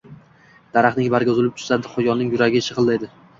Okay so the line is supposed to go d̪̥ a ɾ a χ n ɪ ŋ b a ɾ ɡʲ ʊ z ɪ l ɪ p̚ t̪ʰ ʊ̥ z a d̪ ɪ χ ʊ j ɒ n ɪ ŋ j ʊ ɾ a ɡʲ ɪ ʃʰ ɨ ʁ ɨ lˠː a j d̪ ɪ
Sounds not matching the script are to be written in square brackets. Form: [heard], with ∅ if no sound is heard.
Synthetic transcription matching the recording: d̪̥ a ɾ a χ n ɪ ŋ b a ɾ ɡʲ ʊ z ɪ l ɪ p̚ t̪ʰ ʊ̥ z a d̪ ɪ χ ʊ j ɒ n ɪ ŋ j ʊ ɾ a ɡʲ ɪ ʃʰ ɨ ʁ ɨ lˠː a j d̪ ɪ